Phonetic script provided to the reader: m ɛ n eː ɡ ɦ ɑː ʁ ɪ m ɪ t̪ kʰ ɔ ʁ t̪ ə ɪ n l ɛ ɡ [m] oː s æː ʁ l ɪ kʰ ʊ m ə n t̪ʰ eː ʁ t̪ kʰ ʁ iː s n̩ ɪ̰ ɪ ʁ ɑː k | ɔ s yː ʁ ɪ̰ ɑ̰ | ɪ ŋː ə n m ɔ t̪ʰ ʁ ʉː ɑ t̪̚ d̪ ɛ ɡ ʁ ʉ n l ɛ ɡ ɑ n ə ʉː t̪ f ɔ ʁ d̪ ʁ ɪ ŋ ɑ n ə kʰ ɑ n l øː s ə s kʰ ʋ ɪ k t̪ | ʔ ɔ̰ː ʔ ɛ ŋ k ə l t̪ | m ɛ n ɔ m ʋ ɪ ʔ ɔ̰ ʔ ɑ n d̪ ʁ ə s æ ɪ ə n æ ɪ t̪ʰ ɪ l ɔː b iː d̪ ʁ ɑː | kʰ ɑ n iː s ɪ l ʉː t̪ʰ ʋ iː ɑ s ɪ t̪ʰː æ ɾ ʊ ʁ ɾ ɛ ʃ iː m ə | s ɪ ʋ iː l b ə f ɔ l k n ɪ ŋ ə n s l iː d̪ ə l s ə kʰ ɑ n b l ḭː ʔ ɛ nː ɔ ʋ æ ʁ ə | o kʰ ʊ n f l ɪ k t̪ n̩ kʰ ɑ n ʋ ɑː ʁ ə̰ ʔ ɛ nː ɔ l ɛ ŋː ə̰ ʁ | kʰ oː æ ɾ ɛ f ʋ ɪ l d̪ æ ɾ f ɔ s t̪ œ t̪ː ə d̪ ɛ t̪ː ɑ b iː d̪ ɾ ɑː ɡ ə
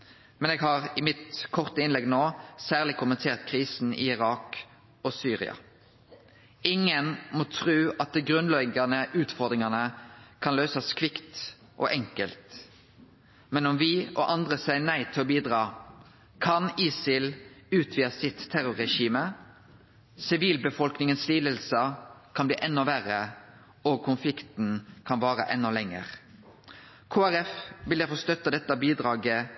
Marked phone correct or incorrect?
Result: incorrect: n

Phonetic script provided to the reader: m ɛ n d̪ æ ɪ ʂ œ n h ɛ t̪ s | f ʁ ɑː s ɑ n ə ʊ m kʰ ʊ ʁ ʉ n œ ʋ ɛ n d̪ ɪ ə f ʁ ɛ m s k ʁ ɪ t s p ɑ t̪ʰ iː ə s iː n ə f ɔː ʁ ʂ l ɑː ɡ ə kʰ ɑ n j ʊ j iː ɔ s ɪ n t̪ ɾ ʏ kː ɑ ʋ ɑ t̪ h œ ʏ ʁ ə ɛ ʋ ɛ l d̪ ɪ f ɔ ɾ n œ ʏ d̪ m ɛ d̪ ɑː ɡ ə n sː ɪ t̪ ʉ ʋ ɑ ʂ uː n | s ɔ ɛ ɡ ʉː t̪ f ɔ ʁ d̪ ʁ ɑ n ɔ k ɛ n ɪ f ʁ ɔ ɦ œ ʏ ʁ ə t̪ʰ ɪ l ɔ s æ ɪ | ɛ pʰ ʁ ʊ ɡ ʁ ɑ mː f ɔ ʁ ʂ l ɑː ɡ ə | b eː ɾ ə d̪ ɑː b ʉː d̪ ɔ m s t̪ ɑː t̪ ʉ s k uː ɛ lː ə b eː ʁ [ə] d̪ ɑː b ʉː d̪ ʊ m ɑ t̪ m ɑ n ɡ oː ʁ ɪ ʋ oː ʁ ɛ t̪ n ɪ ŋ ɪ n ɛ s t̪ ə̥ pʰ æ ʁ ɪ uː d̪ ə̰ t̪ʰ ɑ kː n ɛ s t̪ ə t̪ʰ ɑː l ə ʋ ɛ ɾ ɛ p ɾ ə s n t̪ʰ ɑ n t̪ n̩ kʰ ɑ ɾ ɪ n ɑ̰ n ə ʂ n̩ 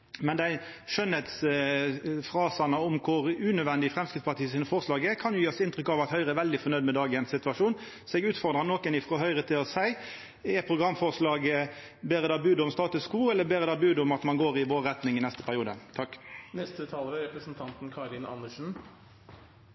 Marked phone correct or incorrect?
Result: correct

